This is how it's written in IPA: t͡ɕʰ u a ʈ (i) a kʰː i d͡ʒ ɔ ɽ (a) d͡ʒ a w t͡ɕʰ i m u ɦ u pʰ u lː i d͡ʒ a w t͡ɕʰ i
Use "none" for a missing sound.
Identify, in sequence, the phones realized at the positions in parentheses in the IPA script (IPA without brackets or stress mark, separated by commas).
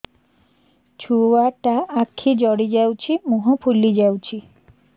a, i